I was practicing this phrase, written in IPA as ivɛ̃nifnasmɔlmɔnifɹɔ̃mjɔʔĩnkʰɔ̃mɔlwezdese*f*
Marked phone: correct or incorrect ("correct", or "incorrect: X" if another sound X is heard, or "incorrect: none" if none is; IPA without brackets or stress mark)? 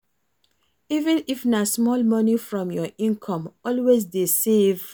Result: incorrect: v